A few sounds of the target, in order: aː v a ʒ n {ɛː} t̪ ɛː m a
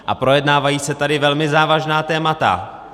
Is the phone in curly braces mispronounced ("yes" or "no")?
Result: yes